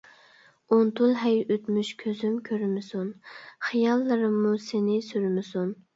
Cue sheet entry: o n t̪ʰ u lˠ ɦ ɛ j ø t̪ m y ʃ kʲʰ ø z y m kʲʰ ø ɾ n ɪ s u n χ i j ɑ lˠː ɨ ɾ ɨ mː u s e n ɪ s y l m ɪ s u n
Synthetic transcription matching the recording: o n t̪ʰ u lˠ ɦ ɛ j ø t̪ m y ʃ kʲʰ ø z y m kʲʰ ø ɾ m ɪ s u n χ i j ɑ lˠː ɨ ɾ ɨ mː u s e n ɪ s y ɾ m ɪ s u n